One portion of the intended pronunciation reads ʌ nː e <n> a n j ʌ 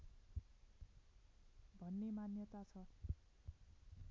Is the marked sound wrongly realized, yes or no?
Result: yes